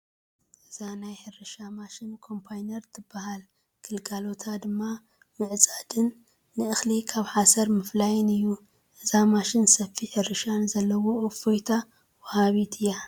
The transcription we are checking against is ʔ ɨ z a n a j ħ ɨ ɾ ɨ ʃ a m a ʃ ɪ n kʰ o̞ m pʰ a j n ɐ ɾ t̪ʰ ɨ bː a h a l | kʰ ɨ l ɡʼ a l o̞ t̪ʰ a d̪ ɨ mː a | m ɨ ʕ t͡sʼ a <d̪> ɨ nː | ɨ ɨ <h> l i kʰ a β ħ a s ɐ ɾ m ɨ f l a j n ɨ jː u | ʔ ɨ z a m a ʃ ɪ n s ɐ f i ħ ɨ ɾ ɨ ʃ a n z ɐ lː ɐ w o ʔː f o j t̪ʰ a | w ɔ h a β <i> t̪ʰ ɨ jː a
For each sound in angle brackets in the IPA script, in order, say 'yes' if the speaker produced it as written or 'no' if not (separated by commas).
yes, no, yes